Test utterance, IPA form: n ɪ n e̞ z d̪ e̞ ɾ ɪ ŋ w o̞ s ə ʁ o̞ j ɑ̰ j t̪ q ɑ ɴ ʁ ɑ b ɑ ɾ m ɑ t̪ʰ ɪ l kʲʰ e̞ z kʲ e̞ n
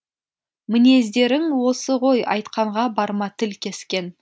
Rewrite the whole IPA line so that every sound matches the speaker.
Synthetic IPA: m ɪ n e̞ z d̪ e̞ ɾ ɪ ŋ w o̞ s ə ʁ o̞ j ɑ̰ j t̪ q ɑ ɴ ʁ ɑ b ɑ ɾ m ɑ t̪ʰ ɪ l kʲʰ e̞ s kʲ e̞ n